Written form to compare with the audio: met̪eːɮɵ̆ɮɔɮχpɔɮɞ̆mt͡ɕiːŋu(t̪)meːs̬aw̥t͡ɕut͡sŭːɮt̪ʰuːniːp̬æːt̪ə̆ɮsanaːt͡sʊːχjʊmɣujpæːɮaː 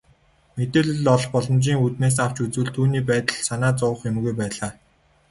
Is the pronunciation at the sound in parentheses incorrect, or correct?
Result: correct